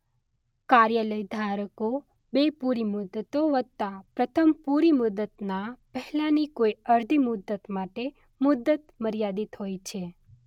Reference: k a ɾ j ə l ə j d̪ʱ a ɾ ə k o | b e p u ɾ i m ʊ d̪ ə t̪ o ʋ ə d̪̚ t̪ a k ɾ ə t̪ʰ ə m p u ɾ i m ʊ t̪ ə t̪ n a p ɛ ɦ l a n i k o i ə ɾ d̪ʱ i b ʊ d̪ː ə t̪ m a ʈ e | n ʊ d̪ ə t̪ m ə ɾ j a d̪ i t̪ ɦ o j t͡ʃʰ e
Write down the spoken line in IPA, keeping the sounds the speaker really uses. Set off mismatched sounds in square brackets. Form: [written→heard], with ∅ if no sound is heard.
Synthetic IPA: k a ɾ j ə l ə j d̪ʱ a ɾ ə k o | b e p u ɾ i m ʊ d̪ ə t̪ o ʋ ə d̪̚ t̪ a [k→p] ɾ ə t̪ʰ ə m p u ɾ i m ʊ [t̪→d̪] ə t̪ n a p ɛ ɦ l a n i k o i ə ɾ d̪ʱ i [b→m] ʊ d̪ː ə t̪ m a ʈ e | [n→m] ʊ d̪ ə t̪ m ə ɾ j a d̪ i t̪ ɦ o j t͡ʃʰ e